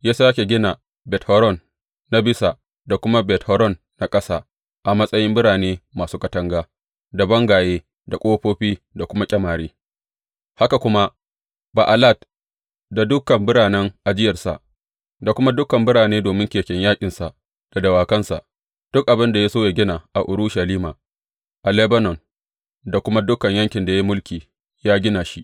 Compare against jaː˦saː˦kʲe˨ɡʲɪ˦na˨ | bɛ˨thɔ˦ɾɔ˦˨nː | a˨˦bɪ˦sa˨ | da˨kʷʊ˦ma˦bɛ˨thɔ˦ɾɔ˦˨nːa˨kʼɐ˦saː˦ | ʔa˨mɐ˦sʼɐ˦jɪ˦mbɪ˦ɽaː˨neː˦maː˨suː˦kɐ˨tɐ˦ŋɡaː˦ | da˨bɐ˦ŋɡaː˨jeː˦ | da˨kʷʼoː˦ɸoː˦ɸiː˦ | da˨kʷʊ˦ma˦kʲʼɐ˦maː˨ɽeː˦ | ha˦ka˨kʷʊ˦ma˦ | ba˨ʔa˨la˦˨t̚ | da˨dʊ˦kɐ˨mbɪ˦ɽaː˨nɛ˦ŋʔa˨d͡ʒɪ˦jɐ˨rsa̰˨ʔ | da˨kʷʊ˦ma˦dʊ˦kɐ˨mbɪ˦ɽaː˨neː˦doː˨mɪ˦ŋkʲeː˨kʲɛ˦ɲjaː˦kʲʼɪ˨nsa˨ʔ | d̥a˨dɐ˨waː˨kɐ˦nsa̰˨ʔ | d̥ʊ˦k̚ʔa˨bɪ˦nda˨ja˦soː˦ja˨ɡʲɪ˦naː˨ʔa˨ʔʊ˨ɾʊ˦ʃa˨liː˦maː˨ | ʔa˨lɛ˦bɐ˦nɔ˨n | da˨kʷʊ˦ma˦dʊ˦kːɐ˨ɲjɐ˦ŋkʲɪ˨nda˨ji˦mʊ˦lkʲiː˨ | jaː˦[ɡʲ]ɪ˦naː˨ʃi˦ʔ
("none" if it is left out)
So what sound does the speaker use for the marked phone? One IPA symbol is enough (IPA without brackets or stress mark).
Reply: ɡʲ